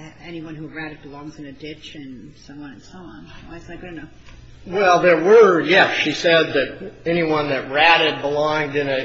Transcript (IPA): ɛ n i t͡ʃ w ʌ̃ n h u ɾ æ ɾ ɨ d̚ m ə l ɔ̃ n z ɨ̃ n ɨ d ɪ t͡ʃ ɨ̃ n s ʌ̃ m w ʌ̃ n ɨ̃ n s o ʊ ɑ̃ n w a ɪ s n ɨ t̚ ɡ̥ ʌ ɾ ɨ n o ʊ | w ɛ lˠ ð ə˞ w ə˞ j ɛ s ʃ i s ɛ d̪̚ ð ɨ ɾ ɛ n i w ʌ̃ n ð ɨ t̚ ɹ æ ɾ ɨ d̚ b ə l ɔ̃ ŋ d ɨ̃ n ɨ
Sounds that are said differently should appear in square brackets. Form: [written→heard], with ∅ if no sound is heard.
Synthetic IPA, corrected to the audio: ɛ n i [t͡ʃ→∅] w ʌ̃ n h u [ɾ→ɹ] æ ɾ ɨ d̚ [m→b] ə l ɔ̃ [n→ŋ] z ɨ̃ n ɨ d ɪ t͡ʃ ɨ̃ n s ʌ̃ m w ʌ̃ n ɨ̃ n s o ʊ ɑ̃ n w a ɪ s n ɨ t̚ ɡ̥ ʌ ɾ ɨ n o ʊ | w ɛ lˠ ð ə˞ w ə˞ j ɛ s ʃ i s ɛ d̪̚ ð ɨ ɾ ɛ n i w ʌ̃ n ð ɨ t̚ ɹ æ ɾ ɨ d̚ b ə l ɔ̃ ŋ d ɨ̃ n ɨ